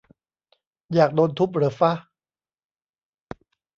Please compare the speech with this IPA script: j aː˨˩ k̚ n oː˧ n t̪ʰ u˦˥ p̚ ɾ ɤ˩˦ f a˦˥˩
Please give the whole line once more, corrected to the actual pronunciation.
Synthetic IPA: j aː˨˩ k̚ d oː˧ n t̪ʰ u˦˥ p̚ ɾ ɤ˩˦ f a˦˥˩